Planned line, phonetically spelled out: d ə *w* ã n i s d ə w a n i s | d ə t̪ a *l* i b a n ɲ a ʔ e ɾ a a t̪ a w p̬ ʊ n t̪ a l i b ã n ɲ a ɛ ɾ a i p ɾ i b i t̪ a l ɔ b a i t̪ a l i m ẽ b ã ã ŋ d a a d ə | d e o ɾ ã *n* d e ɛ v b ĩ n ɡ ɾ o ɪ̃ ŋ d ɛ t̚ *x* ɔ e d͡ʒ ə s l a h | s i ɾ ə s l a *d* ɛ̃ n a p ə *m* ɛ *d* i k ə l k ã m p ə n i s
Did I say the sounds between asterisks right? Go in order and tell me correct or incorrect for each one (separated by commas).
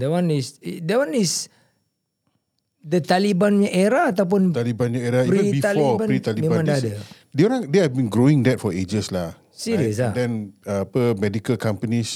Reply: correct, correct, incorrect, incorrect, correct, correct, correct